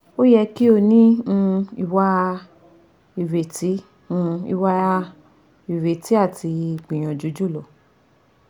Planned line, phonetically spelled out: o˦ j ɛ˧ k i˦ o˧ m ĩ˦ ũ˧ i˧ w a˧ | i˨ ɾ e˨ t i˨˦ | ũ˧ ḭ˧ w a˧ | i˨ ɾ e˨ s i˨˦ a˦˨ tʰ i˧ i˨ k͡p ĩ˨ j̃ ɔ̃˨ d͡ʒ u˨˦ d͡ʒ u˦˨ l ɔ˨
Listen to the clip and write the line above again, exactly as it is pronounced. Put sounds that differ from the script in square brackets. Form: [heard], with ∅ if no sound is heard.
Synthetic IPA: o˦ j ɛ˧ k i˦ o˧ [n] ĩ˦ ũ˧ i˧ w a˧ | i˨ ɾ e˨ t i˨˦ | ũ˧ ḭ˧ w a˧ | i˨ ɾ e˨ [t] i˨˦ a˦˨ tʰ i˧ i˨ k͡p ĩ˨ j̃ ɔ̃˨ d͡ʒ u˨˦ d͡ʒ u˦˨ l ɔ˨